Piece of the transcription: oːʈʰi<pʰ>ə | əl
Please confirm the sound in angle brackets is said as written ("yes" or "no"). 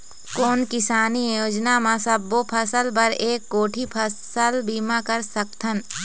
yes